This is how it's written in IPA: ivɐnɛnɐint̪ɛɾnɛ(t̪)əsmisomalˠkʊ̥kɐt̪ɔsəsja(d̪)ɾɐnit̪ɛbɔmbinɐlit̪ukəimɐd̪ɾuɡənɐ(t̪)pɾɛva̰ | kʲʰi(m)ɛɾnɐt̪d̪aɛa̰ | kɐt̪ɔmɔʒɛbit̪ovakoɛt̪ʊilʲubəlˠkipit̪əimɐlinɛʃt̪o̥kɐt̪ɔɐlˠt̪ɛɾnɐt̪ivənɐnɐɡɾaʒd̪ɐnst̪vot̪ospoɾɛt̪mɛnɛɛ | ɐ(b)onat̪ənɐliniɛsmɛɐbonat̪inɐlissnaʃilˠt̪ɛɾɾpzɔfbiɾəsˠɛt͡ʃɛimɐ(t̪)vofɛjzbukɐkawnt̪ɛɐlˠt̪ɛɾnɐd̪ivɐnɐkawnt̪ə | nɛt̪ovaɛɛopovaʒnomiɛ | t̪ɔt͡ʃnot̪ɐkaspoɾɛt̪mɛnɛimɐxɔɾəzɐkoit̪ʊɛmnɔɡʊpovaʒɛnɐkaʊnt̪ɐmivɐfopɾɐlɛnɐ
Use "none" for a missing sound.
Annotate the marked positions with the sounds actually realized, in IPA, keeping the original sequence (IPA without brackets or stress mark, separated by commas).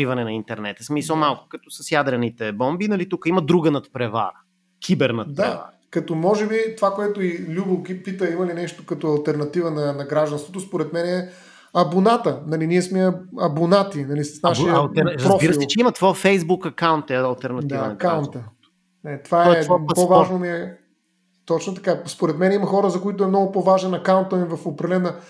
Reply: t̪, d̪, t̪, b, b, t̪